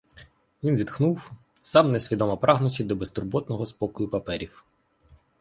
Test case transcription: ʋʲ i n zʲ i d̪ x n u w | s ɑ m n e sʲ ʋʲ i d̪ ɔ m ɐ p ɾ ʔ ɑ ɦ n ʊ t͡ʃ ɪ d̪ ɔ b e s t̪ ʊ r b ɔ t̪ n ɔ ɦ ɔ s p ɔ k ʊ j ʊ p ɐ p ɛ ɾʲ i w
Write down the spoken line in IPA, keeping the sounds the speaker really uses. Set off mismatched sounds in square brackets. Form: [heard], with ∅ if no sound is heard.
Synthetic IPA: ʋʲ i n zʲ i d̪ x n u w | s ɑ m n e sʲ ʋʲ i d̪ ɔ m ɐ p ɾ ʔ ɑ ɦ n ʊ t͡ʃ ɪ d̪ ɔ b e s t̪ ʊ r b ɔ t̪ n ɔ ɦ ɔ s p ɔ k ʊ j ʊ p ɐ p ɛ ɾʲ i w